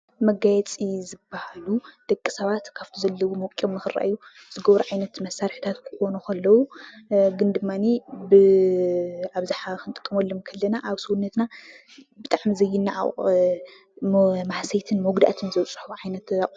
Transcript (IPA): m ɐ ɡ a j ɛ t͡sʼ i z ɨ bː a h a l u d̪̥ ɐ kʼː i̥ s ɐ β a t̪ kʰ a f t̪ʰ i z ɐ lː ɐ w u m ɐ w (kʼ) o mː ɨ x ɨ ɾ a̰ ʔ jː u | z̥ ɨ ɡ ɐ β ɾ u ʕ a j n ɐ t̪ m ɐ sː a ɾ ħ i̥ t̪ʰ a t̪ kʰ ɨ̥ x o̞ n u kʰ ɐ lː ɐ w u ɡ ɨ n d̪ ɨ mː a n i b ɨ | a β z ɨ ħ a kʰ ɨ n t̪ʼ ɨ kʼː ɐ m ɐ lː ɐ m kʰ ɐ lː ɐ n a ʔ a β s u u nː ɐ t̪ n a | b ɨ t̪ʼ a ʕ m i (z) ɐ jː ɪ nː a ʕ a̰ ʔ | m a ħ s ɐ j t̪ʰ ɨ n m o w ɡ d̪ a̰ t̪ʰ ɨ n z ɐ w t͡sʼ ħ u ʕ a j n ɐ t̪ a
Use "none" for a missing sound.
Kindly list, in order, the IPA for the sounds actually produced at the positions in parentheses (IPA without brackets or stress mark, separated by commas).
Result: kʼ, z